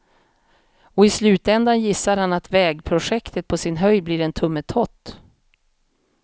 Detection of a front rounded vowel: present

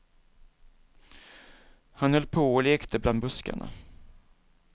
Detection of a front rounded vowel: present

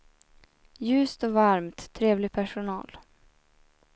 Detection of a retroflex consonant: present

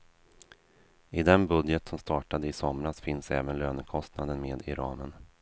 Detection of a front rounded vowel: present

